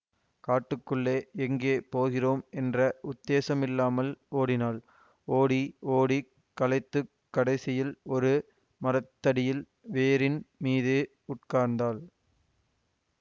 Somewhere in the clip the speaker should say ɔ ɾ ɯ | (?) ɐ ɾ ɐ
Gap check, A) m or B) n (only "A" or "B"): A